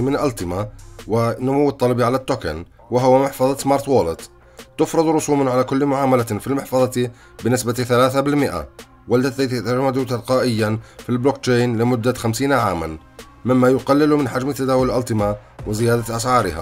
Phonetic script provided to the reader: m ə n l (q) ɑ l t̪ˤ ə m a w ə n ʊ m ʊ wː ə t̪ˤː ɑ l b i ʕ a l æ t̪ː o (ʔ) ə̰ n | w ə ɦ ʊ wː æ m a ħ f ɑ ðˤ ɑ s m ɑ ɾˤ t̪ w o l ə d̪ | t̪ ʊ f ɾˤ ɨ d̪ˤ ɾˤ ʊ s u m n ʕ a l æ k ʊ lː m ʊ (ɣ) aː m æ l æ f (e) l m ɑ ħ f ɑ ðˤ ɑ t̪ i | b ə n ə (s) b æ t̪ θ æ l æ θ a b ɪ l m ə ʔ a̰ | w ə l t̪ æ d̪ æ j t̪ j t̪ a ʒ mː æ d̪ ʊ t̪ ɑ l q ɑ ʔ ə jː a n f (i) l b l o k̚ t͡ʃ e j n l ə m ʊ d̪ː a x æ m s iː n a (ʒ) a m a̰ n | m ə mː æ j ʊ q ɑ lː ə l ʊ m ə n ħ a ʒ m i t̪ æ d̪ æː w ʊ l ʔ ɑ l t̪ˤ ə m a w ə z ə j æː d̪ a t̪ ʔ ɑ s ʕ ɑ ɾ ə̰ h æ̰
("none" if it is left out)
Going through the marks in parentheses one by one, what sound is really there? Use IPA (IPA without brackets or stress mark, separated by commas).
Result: ʔ, k, ʕ, i, s, i, ʕ